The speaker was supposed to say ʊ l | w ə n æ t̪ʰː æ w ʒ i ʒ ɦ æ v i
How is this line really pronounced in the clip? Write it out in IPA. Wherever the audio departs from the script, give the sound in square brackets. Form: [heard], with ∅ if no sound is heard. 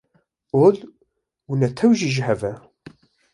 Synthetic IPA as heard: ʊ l | w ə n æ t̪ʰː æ w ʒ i ʒ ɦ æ v [æ]